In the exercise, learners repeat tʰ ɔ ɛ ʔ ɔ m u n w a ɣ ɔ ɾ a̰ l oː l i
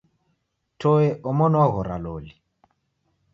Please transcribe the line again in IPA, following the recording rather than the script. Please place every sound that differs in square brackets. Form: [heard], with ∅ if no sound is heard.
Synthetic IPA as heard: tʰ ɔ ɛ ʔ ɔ m [ɔ] n w a ɣ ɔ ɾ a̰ l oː l i